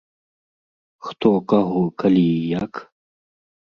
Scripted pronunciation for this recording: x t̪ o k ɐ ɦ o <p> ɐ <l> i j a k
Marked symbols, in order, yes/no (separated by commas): no, yes